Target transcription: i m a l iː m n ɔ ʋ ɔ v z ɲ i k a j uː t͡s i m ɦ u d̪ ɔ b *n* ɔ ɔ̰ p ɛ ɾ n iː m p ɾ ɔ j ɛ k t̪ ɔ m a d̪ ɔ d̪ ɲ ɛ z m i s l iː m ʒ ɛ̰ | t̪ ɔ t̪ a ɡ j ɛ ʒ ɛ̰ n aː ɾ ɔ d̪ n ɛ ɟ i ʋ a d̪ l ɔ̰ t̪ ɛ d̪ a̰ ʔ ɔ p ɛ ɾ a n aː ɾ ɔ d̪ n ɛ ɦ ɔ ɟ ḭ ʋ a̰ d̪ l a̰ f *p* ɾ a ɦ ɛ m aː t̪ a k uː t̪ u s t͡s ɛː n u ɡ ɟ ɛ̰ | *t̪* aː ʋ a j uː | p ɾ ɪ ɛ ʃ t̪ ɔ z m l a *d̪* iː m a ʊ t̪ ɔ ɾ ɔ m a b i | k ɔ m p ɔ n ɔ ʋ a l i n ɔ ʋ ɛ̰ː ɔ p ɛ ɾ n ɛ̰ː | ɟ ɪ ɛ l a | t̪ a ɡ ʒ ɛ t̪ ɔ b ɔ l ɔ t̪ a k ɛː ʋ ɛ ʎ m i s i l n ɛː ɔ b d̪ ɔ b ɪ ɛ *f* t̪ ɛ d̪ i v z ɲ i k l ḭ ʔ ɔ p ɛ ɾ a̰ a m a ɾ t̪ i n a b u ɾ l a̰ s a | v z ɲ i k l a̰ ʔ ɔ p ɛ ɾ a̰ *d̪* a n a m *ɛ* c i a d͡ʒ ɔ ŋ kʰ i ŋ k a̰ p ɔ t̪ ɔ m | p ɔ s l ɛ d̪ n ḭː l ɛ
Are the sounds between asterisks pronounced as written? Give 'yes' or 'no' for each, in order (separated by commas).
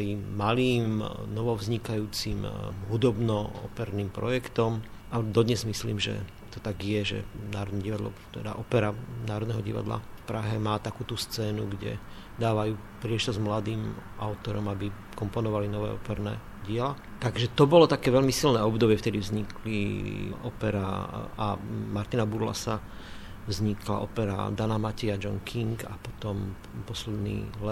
yes, yes, no, yes, yes, yes, no